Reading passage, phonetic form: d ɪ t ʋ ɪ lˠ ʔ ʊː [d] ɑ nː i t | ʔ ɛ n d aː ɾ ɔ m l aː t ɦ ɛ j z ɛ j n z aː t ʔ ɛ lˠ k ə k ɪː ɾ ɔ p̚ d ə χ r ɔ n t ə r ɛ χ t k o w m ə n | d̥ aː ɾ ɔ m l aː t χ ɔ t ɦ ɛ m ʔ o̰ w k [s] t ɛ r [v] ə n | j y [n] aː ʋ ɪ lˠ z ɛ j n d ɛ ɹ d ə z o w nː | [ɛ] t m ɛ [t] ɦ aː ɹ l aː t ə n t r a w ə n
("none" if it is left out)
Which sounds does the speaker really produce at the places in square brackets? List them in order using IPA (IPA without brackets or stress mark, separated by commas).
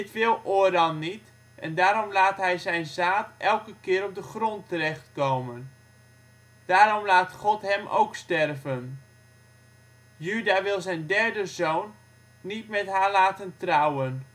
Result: d, s, v, d, i, t